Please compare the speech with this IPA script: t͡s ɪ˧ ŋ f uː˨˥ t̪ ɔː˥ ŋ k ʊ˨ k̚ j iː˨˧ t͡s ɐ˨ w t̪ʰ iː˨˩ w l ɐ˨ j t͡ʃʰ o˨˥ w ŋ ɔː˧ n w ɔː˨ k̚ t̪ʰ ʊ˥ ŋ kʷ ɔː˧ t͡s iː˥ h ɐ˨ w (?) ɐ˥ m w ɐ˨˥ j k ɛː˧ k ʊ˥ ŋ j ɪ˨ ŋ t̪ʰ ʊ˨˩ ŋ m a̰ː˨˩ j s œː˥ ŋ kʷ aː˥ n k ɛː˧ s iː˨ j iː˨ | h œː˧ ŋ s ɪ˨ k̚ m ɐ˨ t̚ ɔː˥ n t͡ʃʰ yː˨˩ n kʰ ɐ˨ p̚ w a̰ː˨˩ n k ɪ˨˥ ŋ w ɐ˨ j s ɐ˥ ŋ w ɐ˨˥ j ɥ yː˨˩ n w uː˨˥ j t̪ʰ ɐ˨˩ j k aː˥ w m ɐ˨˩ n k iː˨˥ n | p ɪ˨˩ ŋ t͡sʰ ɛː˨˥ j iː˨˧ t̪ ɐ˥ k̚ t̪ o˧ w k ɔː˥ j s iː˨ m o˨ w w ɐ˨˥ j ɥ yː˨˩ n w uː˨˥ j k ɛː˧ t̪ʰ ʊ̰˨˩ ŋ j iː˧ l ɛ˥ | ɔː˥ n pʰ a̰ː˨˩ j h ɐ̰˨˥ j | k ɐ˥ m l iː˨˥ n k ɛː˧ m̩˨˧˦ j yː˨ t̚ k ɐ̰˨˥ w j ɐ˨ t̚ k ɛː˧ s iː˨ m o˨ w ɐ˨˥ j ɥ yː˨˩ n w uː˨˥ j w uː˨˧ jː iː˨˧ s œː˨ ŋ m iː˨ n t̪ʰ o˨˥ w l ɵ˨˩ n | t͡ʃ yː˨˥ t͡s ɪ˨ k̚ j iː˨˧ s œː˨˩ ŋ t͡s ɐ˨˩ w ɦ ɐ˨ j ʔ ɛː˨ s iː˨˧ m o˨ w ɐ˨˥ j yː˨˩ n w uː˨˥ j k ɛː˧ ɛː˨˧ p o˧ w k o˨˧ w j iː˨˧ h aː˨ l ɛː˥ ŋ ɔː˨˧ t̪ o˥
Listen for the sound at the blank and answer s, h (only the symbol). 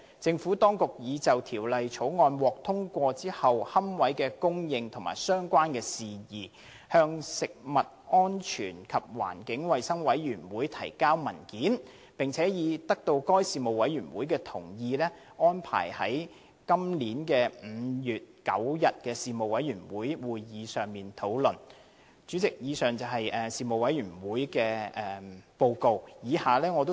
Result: h